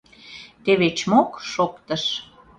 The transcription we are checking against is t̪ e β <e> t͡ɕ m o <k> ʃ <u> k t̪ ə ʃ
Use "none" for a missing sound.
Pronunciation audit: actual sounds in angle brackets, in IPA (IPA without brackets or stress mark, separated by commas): e, k, o